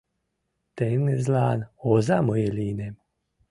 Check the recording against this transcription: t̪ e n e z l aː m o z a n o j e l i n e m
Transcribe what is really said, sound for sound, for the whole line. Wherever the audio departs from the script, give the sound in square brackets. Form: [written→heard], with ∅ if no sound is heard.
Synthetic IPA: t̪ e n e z l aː [m→n] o z a [n→m] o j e l i n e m